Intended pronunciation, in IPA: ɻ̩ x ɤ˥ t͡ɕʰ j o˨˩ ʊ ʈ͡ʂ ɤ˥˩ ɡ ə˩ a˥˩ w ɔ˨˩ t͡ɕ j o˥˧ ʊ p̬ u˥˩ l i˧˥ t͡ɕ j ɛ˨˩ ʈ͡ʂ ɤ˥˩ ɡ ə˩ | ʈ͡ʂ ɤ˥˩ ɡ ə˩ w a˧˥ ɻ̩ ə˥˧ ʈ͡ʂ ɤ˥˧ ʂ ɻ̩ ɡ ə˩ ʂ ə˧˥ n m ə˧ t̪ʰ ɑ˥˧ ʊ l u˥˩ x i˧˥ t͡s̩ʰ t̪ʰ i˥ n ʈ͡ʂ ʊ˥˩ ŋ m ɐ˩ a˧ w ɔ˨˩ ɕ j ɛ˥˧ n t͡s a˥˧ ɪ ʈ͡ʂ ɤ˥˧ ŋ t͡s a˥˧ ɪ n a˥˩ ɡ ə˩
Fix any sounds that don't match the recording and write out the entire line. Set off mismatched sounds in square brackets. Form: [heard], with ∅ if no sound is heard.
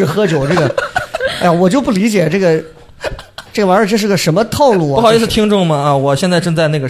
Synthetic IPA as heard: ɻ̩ x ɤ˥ [t͡ɕ] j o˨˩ ʊ ʈ͡ʂ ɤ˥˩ ɡ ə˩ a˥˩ w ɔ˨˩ t͡ɕ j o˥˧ ʊ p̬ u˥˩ l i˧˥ t͡ɕ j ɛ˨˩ ʈ͡ʂ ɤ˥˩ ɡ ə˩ | ʈ͡ʂ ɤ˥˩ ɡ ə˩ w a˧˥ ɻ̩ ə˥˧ ʈ͡ʂ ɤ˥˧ ʂ ɻ̩ ɡ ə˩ ʂ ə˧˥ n m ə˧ t̪ʰ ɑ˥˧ ʊ l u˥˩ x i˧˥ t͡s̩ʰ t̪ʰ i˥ [ŋ] ʈ͡ʂ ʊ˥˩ ŋ m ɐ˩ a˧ w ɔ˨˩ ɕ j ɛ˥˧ n t͡s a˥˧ ɪ ʈ͡ʂ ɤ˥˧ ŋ t͡s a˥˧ ɪ n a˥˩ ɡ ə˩